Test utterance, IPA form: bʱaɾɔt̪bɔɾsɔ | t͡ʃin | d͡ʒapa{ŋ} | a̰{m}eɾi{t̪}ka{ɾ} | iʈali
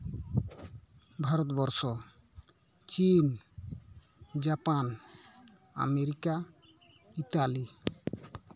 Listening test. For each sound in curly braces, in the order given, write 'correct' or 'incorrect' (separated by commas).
incorrect, correct, incorrect, incorrect